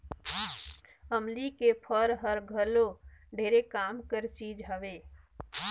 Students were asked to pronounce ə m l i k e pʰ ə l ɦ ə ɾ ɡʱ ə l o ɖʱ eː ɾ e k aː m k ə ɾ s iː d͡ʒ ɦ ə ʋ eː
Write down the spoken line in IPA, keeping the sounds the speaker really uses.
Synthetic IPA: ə m l i k e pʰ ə ɾ ɦ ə ɾ ɡʱ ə l o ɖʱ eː ɾ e k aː m k ə ɾ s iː d͡ʒ ɦ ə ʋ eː